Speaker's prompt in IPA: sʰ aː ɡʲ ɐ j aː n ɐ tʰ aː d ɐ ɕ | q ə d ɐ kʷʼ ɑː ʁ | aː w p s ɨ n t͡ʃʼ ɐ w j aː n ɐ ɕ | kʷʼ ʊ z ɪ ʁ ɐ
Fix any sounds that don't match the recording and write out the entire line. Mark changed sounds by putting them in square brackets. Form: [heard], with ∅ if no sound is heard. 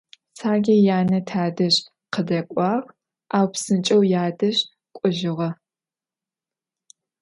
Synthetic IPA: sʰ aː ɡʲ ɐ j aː n ɐ tʰ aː d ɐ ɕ | q ə d ɐ kʷʼ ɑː ʁ | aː w p s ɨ n t͡ʃʼ ɐ w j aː [d] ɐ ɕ | kʷʼ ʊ [ʒ] ɪ ʁ ɐ

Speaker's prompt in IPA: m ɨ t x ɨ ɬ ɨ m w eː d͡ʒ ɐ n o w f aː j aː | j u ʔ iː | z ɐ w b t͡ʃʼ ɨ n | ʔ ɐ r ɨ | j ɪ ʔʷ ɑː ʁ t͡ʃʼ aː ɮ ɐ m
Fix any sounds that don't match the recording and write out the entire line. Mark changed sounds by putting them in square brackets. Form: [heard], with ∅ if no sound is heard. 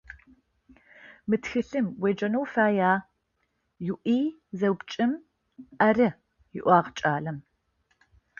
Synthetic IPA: m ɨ t x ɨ ɬ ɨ m w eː d͡ʒ ɐ n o w f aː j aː | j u ʔ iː | z ɐ w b t͡ʃʼ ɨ [m] | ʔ ɐ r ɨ | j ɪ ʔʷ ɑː ʁ t͡ʃʼ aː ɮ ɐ m

